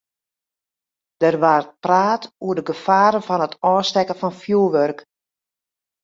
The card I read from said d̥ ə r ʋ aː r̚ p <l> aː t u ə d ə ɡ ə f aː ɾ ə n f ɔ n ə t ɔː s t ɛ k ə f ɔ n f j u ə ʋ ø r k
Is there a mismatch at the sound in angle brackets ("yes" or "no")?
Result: yes